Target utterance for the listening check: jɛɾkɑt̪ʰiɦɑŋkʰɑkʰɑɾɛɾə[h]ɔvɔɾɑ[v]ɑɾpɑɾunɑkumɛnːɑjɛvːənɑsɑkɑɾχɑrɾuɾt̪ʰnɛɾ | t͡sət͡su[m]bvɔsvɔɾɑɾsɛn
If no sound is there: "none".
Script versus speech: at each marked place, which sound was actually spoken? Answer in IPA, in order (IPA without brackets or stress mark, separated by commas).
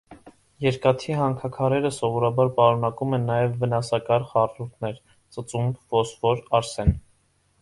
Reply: s, b, m